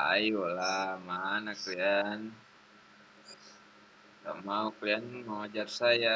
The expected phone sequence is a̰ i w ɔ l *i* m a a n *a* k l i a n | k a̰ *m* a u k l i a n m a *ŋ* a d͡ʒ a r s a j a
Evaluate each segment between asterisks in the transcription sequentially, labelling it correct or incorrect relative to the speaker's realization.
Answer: incorrect, correct, correct, correct

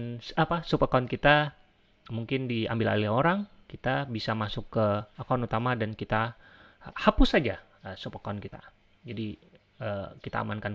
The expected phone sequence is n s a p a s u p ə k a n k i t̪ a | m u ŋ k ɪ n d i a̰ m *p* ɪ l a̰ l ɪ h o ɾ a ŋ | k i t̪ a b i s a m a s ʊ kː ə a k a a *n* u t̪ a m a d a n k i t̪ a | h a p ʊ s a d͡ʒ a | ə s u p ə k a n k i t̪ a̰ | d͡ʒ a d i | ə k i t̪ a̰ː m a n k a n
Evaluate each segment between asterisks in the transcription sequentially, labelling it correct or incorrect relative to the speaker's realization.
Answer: incorrect, correct

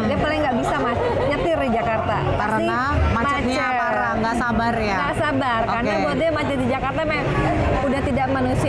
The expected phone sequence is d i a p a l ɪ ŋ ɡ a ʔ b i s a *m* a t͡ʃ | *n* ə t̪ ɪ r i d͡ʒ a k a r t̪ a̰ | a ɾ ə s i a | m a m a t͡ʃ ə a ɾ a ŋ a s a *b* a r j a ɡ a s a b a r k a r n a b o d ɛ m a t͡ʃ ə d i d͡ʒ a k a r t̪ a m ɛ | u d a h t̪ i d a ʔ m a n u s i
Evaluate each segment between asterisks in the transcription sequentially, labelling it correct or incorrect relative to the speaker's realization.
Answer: correct, incorrect, correct

